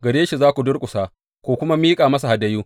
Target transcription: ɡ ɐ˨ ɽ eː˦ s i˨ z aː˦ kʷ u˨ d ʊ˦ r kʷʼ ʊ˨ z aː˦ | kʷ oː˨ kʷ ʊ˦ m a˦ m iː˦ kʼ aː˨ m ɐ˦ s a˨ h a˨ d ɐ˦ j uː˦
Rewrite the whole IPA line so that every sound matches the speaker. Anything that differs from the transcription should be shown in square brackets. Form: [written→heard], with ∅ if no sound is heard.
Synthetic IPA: ɡ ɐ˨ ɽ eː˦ [s→ʃ] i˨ z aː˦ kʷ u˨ d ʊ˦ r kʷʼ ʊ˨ [z→s] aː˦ | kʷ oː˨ kʷ ʊ˦ m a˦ m iː˦ kʼ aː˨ m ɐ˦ s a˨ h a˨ d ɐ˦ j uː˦